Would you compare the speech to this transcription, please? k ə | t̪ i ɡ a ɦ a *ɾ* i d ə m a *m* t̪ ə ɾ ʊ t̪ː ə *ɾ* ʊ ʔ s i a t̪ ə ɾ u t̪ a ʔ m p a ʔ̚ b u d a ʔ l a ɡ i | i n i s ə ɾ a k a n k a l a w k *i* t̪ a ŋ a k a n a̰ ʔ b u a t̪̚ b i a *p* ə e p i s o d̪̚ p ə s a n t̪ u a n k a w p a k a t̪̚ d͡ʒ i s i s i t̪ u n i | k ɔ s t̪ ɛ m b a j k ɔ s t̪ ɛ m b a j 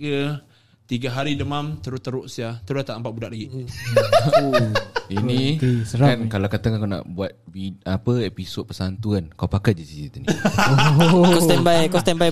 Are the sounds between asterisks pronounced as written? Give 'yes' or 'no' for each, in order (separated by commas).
yes, yes, yes, no, yes